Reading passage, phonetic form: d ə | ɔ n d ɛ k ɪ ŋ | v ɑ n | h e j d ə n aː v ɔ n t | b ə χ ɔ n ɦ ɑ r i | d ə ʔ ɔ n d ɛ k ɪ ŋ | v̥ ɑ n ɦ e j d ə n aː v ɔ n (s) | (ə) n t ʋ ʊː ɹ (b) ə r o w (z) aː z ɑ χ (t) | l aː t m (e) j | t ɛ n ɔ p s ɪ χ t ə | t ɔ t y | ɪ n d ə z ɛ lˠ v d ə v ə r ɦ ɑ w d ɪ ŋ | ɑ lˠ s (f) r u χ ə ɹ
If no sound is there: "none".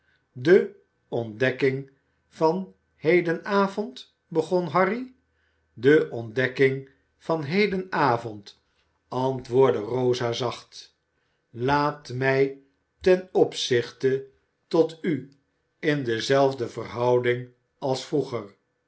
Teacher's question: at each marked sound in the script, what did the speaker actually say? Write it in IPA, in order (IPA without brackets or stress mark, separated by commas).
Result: t, ɑ, d, z, t, ɛ, f